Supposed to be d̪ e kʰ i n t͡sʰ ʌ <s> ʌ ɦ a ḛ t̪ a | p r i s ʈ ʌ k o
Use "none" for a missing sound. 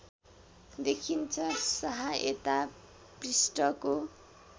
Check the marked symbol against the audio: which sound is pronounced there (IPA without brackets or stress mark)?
s